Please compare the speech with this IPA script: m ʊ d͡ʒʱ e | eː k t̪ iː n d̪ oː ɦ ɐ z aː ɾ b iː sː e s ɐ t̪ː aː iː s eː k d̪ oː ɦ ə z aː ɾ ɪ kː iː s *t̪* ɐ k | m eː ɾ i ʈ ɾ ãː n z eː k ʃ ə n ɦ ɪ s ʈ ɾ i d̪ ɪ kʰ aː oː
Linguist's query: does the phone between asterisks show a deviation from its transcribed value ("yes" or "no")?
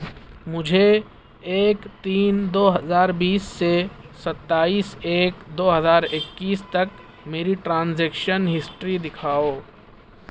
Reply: no